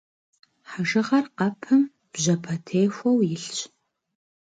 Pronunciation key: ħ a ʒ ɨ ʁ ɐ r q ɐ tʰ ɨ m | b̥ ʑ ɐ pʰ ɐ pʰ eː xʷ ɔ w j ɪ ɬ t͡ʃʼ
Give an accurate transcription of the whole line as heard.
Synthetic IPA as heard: ħ a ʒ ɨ ʁ ɐ r q ɐ pʰ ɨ m | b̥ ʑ ɐ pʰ ɐ tʰ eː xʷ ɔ w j ɪ ɬ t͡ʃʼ